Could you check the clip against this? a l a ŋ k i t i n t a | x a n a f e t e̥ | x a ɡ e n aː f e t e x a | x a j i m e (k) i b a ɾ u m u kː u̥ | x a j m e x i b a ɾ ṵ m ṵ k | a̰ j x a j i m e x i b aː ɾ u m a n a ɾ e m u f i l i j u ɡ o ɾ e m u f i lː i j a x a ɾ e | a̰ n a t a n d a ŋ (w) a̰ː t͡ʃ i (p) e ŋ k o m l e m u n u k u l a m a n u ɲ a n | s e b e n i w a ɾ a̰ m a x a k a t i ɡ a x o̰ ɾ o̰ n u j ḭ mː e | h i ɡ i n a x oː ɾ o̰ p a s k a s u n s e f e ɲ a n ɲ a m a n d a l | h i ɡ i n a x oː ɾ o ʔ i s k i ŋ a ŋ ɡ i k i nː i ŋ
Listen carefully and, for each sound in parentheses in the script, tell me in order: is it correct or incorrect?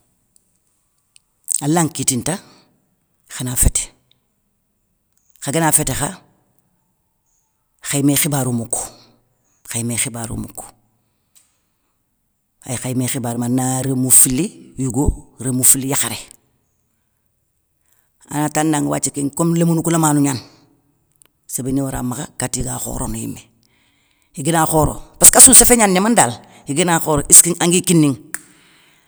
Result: incorrect, correct, incorrect

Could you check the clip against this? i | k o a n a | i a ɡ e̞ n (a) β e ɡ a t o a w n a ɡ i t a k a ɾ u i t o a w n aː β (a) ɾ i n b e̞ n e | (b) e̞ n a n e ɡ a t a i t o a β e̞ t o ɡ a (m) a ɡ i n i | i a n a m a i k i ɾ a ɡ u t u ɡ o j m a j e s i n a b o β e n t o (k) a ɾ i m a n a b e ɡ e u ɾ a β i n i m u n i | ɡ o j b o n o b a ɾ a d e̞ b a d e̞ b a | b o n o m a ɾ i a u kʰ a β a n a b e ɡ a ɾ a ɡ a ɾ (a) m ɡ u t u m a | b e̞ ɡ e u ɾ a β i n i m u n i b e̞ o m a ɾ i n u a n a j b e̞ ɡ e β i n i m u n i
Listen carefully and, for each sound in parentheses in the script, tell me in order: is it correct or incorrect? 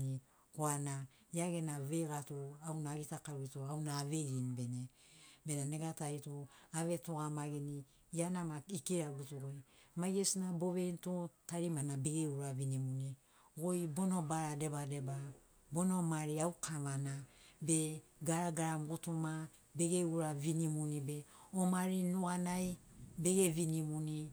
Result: correct, incorrect, correct, correct, incorrect, correct

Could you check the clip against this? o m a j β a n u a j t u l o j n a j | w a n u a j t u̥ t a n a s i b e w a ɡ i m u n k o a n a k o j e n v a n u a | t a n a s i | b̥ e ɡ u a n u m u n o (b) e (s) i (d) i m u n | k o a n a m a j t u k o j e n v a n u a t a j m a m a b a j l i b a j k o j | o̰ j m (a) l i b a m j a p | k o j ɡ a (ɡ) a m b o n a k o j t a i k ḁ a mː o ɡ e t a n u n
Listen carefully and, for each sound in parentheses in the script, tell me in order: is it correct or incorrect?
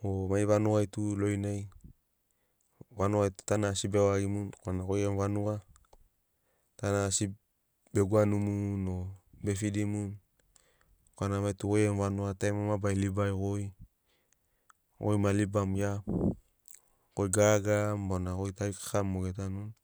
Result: correct, incorrect, correct, correct, correct

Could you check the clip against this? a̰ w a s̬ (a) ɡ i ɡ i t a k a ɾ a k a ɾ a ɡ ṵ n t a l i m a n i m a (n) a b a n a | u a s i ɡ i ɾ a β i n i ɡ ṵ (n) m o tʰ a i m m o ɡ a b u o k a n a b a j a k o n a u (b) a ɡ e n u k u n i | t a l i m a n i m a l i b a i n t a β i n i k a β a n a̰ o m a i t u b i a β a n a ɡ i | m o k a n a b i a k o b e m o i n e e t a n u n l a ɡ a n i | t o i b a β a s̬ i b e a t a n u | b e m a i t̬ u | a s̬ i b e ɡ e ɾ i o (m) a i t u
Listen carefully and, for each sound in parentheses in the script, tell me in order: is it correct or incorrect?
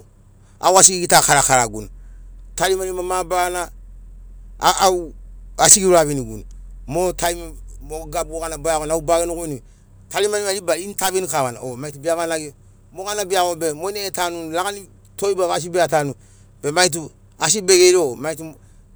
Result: incorrect, incorrect, correct, correct, correct

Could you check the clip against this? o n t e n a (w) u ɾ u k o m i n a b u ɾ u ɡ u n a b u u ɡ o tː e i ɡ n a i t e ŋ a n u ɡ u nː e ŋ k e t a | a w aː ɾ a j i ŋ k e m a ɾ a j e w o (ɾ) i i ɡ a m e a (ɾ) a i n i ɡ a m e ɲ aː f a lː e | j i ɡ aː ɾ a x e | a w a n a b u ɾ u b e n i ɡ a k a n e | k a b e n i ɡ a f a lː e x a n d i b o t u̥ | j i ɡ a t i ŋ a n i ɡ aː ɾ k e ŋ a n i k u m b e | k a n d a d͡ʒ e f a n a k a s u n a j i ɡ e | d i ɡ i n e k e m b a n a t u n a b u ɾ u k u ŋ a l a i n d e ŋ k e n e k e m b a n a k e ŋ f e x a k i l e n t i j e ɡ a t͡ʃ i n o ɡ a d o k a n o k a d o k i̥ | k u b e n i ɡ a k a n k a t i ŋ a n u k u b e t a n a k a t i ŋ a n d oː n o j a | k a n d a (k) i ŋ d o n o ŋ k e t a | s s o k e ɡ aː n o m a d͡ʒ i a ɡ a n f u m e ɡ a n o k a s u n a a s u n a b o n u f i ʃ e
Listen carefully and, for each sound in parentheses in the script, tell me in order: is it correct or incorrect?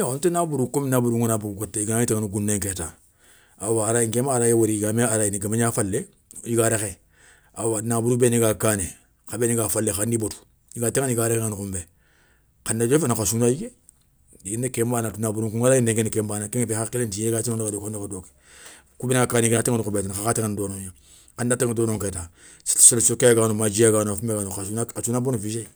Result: incorrect, correct, correct, incorrect

